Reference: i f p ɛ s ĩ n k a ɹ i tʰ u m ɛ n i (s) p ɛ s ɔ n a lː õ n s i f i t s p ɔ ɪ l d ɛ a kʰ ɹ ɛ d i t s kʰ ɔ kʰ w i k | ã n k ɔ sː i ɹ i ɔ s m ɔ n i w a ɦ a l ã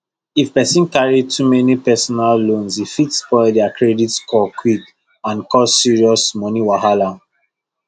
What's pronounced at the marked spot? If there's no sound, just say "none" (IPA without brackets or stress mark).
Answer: none